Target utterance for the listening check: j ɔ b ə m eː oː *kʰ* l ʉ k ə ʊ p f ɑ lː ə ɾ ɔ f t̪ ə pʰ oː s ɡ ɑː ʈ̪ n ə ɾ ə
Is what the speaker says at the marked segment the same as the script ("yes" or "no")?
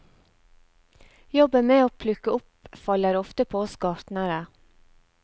no